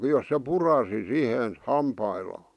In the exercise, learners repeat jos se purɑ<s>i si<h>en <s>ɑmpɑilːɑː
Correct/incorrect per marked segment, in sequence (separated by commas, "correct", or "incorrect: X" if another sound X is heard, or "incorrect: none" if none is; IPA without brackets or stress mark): correct, correct, incorrect: h